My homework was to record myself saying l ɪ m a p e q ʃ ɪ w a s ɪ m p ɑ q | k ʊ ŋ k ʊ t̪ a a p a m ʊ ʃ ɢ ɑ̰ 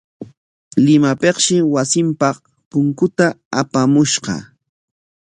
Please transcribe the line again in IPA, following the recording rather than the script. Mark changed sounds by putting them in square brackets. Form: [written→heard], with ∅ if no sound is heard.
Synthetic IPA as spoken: l ɪ m a p e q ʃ ɪ w a s ɪ m p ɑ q | [k→p] ʊ ŋ k ʊ t̪ a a p a m ʊ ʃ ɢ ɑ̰